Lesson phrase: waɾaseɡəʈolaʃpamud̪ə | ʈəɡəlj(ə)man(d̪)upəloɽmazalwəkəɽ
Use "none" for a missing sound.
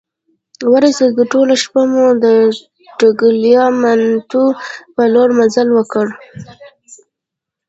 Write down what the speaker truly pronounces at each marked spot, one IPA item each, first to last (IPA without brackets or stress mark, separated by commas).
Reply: ɑ, t̪